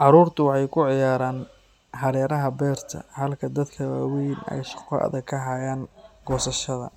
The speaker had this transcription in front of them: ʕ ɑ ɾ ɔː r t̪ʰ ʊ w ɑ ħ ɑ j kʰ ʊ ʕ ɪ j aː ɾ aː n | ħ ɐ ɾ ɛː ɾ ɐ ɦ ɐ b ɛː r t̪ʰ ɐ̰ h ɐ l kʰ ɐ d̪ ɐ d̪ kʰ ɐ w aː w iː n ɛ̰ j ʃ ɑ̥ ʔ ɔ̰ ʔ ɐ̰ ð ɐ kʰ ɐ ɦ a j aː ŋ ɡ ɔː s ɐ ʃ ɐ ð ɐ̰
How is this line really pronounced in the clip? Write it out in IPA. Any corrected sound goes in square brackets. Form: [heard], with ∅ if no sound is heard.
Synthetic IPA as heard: ʕ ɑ ɾ [uː] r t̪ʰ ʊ w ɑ ħ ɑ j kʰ ʊ ʕ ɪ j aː ɾ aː n | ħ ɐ ɾ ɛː ɾ ɐ ɦ ɐ b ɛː r t̪ʰ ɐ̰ h ɐ l kʰ ɐ d̪ ɐ d̪ kʰ ɐ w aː w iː n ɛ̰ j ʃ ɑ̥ [q] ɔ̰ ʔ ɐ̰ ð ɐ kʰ ɐ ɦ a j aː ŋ ɡ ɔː s ɐ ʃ ɐ ð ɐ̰